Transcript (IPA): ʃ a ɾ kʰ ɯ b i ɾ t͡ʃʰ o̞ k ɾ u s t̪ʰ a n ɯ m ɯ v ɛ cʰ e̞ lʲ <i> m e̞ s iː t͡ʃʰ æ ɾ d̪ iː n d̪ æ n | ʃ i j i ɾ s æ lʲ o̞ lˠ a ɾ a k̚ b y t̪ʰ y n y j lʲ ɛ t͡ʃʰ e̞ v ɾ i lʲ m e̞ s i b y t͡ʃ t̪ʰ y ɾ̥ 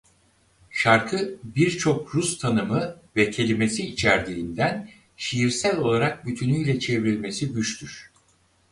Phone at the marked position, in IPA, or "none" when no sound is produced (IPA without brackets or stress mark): i